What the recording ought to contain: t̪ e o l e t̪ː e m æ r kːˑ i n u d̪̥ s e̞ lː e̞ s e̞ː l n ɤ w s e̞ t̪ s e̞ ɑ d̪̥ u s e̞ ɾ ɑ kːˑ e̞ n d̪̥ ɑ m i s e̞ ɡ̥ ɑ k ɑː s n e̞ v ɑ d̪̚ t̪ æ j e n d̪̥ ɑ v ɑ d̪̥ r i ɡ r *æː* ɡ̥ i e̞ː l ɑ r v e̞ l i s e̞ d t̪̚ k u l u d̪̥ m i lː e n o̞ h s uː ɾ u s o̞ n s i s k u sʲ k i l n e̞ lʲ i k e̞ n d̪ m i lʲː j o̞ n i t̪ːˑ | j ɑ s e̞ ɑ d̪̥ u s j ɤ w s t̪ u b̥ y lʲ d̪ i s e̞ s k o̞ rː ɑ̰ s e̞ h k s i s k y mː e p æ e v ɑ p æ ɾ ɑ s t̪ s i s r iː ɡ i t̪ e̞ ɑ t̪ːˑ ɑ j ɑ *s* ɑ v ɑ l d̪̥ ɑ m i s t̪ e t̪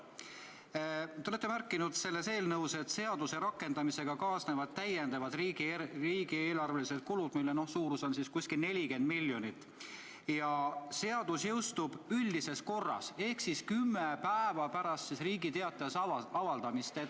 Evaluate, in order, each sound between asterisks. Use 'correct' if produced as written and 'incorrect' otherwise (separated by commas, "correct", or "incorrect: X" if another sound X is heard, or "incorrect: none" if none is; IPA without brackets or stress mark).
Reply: incorrect: iː, correct